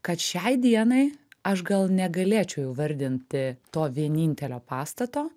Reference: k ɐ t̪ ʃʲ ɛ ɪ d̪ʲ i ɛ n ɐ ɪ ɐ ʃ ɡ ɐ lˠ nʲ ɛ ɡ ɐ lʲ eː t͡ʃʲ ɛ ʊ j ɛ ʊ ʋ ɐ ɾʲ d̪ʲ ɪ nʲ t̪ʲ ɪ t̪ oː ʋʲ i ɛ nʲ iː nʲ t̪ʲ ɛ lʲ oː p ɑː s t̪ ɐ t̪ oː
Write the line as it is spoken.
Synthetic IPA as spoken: k ɐ t̪ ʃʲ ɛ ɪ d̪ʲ i ɛ n ɐ ɪ ɐ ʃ ɡ ɐ lˠ nʲ ɛ ɡ ɐ lʲ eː t͡ʃʲ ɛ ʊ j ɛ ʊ ʋ ɐ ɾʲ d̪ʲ ɪ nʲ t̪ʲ ɪ t̪ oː ʋʲ i ɛ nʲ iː nʲ t̪ʲ ɛ lʲ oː p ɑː s t̪ ɐ t̪ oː